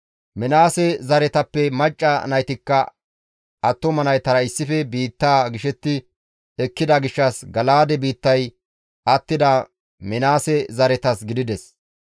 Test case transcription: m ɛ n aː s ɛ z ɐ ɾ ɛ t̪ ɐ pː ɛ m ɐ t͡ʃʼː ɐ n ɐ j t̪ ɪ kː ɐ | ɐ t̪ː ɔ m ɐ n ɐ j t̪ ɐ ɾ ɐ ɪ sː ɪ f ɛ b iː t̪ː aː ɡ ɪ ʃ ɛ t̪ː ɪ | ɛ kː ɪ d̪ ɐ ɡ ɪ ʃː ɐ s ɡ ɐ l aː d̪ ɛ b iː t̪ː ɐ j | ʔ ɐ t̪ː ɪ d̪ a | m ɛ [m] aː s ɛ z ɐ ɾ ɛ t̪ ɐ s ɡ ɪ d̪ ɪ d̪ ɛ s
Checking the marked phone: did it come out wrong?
yes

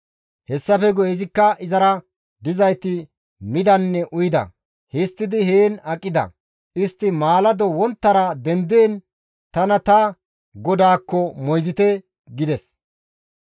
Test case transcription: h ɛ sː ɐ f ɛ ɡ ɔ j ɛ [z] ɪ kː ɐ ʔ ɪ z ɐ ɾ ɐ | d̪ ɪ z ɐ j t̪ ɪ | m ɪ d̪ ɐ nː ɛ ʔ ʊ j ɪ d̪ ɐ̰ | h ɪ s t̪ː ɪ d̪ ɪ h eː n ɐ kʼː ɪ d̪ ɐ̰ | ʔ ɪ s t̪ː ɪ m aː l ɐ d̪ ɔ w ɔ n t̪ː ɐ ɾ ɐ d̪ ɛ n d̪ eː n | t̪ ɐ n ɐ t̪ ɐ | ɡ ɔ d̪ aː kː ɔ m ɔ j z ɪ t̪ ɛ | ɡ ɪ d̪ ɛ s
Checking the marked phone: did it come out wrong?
no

